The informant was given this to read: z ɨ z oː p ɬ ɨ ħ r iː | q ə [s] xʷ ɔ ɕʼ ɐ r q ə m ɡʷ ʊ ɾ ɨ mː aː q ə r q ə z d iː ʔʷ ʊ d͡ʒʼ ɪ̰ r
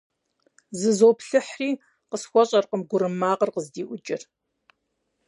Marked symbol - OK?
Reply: yes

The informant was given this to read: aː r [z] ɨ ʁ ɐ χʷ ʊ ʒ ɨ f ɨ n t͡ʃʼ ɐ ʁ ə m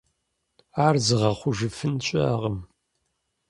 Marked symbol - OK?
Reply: yes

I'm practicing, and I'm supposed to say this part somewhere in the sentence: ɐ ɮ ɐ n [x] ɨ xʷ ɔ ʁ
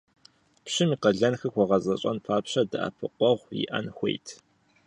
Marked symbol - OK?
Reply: yes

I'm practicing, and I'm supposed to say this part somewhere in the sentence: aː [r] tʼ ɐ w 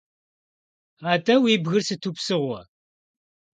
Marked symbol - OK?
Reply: no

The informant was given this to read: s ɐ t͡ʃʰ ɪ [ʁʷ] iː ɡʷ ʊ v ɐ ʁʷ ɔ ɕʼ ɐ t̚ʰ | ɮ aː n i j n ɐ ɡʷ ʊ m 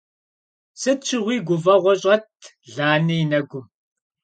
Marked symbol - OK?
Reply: yes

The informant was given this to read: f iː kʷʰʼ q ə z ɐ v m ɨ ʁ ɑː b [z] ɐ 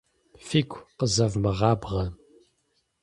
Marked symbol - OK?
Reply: no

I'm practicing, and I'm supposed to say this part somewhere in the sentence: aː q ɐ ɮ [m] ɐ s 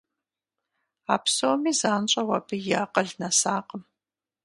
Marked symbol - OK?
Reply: no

